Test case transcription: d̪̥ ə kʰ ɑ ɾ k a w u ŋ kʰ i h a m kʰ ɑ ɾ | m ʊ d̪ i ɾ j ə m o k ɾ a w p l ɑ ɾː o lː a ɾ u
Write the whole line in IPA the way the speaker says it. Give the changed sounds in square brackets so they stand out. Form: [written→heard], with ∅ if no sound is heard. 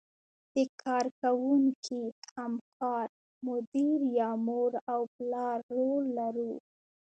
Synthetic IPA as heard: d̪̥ ə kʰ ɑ ɾ k a w u ŋ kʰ i h a m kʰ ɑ ɾ | m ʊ d̪ i ɾ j [ə→ɑ] m o [k→∅] ɾ a w p l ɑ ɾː o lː a ɾ u